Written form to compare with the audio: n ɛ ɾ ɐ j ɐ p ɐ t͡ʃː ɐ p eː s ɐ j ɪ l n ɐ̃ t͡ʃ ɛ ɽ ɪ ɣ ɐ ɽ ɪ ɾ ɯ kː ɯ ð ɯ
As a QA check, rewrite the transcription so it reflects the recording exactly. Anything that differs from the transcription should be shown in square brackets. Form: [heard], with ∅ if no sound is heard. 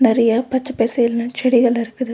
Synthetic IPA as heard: n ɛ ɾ ɐ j ɐ p ɐ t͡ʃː ɐ p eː s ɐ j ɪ l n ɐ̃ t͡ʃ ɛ ɽ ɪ ɣ ɐ [ɭ] ɪ ɾ ɯ kː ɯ ð ɯ